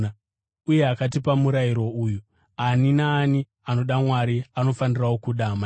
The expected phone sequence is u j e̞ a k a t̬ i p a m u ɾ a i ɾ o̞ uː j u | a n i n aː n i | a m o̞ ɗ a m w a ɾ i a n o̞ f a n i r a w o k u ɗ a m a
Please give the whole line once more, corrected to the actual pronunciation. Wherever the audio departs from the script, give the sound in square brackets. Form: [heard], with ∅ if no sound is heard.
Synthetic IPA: u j e̞ a k a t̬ i p a m u ɾ a i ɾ o̞ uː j u | a n i n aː n i | a [n] o̞ ɗ a m w a ɾ i a n o̞ f a n i r a w o k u ɗ a m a